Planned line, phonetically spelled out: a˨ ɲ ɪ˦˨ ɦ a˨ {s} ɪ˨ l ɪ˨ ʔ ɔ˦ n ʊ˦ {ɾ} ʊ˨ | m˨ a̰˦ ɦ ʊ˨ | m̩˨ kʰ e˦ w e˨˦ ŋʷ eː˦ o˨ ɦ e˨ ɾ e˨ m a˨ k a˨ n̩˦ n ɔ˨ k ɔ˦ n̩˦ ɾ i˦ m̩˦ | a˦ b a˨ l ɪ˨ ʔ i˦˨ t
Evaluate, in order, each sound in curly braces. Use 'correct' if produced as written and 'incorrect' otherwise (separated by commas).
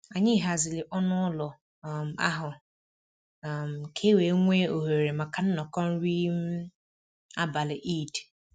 incorrect, incorrect